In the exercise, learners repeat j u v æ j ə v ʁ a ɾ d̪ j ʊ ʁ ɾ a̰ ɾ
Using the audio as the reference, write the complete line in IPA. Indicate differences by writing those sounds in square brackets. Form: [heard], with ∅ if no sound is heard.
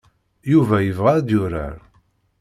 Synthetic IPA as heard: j u v æ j ə v ʁ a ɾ d̪ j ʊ [∅] ɾ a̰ ɾ

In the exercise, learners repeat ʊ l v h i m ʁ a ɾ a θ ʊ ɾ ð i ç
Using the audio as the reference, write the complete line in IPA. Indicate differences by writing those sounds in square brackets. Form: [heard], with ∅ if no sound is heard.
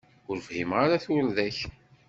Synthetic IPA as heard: ʊ [ɾ] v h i m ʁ a ɾ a θ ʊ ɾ ð [æ] ç

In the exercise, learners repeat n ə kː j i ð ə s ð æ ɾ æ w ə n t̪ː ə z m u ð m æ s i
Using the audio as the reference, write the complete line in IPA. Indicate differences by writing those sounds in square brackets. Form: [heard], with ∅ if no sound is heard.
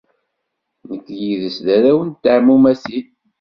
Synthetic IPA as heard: n ə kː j i ð ə s ð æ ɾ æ w ə n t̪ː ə [ʕ] m u [∅] m æ s i

